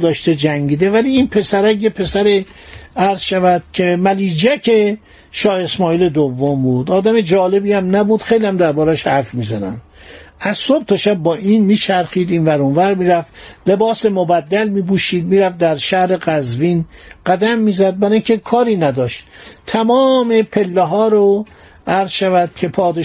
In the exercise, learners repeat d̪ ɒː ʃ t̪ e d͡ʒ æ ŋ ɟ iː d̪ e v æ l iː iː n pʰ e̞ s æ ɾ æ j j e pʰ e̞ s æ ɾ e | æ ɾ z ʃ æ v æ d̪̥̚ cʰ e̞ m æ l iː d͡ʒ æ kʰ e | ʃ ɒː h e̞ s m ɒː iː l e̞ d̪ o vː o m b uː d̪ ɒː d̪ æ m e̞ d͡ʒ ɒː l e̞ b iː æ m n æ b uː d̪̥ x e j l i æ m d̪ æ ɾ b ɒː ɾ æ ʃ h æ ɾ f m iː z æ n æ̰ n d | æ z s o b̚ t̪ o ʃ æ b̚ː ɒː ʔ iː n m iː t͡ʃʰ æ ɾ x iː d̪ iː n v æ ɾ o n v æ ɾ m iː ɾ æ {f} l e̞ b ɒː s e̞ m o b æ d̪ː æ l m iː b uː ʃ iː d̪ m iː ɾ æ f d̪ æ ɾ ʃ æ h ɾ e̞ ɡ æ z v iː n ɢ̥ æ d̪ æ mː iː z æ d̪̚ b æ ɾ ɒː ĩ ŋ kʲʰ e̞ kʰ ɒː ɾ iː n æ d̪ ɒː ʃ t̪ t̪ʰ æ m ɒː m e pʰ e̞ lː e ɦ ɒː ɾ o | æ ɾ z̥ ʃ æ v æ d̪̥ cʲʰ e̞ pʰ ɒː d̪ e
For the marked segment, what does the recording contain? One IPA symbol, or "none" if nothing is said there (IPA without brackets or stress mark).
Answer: f